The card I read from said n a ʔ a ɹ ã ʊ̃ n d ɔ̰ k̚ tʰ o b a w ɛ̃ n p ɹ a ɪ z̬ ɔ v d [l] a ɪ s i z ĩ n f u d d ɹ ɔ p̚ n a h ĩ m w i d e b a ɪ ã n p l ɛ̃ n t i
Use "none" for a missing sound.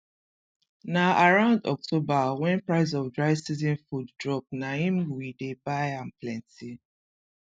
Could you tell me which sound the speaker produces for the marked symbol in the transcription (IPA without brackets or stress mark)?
ɹ